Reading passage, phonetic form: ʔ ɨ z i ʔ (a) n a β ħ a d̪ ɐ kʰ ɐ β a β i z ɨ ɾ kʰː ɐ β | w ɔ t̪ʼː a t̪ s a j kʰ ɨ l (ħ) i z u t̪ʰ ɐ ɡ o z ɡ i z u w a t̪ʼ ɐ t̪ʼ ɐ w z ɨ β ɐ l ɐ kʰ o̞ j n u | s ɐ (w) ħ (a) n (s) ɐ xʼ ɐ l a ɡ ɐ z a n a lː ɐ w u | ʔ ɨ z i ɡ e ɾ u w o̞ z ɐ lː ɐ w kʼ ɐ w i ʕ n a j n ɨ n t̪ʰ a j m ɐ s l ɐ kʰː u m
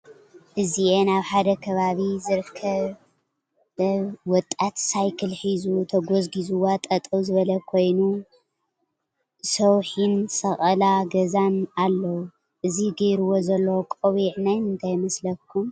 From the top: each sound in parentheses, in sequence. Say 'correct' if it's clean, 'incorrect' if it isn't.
incorrect, correct, correct, incorrect, correct

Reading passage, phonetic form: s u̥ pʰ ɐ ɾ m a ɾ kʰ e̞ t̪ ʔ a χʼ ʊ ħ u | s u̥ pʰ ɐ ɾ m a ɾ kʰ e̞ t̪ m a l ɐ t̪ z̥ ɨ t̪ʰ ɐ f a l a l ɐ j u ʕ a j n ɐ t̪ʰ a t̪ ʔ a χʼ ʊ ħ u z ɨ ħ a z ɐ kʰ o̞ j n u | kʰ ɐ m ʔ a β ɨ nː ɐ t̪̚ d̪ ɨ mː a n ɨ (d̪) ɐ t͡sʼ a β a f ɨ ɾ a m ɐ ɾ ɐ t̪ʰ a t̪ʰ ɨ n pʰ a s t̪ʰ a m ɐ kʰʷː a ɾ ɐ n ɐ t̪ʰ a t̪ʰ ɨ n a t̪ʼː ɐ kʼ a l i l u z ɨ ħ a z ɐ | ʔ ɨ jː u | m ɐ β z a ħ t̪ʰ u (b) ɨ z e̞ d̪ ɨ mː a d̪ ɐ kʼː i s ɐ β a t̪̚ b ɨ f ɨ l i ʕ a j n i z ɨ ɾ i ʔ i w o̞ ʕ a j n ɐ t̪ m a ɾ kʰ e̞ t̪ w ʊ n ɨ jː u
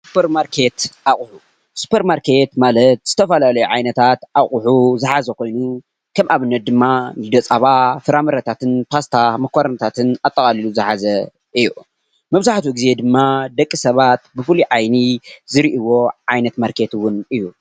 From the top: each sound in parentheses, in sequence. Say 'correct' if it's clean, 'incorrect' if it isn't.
correct, incorrect

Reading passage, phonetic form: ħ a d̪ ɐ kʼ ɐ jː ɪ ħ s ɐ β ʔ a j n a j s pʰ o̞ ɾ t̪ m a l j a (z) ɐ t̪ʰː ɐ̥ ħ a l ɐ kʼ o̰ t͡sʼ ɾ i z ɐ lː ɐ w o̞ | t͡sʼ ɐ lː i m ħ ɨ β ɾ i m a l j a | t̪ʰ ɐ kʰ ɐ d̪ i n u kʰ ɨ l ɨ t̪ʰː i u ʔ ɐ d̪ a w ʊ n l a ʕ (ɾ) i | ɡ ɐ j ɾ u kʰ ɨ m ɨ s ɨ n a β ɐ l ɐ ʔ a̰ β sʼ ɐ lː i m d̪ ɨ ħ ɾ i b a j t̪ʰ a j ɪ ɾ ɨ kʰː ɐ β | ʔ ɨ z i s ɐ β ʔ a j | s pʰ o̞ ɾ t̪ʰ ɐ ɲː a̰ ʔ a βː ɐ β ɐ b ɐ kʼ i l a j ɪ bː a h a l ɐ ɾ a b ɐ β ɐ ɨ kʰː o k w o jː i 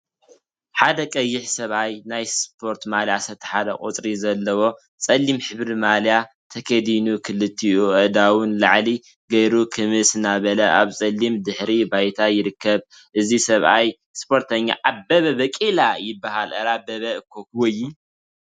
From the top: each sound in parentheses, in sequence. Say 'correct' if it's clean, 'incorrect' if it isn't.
incorrect, incorrect

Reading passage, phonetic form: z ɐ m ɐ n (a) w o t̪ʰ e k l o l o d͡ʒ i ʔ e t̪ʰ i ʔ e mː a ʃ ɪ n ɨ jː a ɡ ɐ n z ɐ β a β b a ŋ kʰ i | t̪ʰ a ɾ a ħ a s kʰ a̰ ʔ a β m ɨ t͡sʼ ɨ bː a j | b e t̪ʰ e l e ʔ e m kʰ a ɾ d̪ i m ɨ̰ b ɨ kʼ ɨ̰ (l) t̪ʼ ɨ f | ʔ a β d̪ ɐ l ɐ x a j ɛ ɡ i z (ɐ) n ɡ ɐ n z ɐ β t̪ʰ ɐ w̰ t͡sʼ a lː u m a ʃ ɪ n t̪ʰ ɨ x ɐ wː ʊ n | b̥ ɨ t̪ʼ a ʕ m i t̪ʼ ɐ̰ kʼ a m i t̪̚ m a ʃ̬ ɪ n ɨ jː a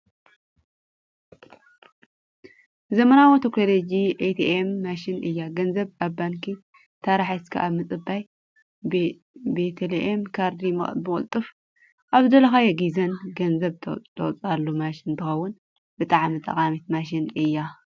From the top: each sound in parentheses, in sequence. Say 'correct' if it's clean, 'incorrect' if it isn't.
correct, correct, correct

